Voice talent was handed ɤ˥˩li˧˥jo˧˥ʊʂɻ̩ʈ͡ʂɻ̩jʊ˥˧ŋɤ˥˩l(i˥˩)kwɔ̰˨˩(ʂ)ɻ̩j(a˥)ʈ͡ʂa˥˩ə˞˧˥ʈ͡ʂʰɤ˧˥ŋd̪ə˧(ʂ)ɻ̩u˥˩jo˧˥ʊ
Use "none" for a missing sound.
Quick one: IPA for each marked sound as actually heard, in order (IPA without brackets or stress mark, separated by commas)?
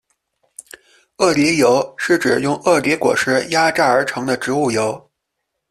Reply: i˧˥, ʂ, a˥, ʈ͡ʂ